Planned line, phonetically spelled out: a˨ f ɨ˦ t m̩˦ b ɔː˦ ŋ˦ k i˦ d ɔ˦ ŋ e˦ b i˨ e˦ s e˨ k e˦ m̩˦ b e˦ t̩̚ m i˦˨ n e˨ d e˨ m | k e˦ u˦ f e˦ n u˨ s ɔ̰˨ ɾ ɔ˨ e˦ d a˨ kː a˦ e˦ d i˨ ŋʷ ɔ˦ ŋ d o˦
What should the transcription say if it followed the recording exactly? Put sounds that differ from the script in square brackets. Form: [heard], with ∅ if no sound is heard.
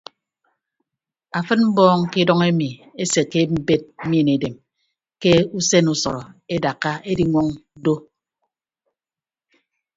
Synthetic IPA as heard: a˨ f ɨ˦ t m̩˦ b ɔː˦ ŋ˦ k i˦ d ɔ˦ ŋ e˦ [m] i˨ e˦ s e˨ k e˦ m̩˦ b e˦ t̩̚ m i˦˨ n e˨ d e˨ m | k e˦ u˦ [s] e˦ n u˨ s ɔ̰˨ ɾ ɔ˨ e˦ d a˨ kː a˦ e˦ d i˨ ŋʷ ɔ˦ ŋ d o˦